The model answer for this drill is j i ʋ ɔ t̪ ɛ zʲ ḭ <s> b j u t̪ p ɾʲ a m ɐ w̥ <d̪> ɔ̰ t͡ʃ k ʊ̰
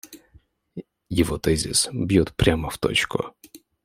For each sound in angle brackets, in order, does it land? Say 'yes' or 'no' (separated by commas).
yes, no